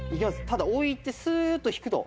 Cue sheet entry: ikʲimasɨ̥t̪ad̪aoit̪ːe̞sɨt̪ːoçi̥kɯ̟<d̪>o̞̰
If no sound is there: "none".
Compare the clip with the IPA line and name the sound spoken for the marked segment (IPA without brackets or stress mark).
t̪